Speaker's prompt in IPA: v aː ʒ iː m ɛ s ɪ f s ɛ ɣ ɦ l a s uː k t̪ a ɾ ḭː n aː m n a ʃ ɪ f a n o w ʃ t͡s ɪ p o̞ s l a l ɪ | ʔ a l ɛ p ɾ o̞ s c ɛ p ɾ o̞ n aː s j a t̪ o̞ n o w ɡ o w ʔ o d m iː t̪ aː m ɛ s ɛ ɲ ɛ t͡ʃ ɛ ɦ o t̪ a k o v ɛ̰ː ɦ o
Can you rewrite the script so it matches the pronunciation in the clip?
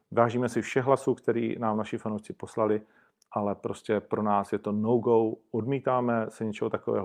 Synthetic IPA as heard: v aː ʒ iː m ɛ s ɪ f ʃ ɛ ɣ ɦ l a s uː k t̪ ɛ ɾ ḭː n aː m n a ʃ ɪ f a n o w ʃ t͡s ɪ p o̞ s l a l ɪ | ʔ a l ɛ p ɾ o̞ s c ɛ p ɾ o̞ n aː s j ɛ t̪ o̞ n o w ɡ o w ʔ o d m iː t̪ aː m ɛ s ɛ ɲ ɛ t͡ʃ ɛ ɦ o t̪ a k o v ɛ̰ː ɦ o